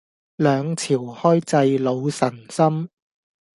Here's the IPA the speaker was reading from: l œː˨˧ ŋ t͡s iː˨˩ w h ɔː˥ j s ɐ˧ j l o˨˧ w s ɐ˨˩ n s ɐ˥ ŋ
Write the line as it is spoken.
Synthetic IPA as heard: l œː˨˧ ŋ t͡sʰ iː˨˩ w h ɔː˥ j t͡s ɐ˧ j l o˨˧ w s ɐ˨˩ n s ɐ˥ m